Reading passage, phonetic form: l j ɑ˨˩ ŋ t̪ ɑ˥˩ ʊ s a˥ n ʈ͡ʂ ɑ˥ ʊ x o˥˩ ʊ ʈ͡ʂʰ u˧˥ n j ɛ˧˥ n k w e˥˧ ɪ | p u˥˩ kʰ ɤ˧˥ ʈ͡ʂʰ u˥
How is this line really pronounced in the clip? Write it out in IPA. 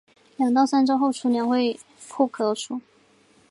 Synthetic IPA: l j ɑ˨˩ ŋ t̪ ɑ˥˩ ʊ s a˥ n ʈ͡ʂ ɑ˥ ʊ x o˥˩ ʊ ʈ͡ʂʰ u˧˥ n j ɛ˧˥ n x w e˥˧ ɪ | pʰ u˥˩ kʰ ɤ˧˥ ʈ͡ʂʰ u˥